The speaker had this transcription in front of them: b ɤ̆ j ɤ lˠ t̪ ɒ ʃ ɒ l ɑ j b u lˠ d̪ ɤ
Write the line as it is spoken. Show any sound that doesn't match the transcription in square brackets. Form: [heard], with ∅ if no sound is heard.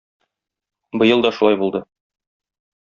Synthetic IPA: b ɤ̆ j ɤ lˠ [d̪] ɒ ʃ [u] l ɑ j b u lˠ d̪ ɤ